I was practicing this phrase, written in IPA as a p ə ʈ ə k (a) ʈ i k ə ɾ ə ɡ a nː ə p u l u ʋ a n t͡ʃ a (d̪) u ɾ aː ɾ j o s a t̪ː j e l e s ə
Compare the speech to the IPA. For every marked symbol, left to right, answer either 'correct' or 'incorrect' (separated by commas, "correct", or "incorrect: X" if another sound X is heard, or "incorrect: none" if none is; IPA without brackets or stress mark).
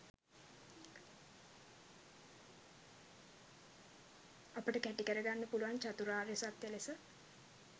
incorrect: æ, incorrect: t̪